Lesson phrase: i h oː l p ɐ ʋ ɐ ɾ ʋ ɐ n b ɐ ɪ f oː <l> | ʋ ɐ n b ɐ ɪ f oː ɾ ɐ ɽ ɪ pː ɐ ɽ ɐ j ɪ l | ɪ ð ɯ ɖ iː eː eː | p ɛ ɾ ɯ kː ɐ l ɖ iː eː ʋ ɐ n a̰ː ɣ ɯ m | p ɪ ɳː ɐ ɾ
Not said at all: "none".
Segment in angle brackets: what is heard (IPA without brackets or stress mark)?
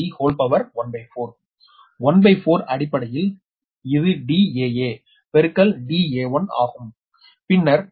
ɾ